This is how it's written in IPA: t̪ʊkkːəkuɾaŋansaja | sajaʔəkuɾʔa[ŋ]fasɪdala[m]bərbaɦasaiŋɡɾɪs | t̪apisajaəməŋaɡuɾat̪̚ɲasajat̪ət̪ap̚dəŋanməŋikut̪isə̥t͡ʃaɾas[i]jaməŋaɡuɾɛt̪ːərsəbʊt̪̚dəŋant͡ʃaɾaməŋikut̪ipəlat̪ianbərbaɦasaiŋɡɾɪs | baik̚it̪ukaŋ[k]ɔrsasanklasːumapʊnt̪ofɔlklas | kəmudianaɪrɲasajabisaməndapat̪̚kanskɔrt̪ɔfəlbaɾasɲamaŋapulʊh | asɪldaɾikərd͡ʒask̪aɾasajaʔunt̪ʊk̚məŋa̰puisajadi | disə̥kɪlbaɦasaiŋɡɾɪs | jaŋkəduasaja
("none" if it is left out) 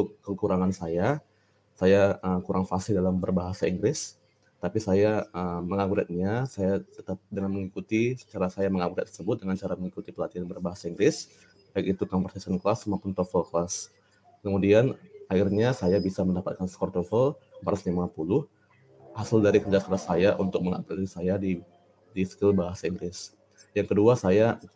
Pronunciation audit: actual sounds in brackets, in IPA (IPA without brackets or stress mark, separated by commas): ŋ, m, a, p